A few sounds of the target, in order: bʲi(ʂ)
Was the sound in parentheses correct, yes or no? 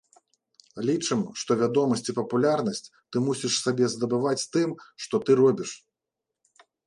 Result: yes